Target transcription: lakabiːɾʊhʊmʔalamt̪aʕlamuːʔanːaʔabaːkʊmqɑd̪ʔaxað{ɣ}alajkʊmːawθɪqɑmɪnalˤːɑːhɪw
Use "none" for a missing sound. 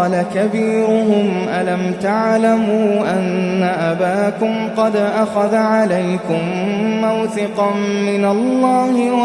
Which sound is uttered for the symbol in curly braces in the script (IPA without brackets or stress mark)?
ʕ